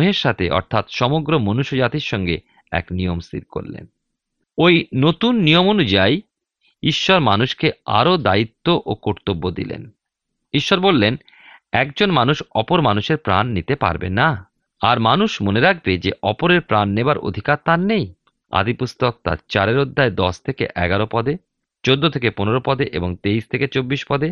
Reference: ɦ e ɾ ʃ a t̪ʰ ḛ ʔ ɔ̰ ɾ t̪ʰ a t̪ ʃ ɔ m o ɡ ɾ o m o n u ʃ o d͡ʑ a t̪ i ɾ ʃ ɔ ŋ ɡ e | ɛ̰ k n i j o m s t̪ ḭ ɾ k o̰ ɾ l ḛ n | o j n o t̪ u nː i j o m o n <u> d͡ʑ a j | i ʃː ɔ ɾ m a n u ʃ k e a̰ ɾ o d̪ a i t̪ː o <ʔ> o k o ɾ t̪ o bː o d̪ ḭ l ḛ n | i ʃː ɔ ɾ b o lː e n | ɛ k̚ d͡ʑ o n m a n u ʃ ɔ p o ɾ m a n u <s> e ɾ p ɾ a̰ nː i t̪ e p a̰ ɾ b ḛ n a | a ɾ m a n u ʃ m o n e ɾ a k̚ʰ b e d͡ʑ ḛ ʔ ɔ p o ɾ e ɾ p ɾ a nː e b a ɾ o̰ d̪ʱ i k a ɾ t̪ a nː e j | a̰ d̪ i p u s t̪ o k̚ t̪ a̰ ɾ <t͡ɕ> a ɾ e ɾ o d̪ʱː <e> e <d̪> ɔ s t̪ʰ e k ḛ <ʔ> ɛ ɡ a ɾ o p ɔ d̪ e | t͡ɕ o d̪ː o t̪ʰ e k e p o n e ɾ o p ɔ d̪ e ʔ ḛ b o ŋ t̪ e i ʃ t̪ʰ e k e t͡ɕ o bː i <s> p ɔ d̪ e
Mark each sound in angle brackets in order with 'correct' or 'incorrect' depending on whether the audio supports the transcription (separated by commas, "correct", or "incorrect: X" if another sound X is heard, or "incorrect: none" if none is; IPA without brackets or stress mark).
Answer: correct, correct, incorrect: ʃ, correct, incorrect: a, correct, correct, incorrect: ʃ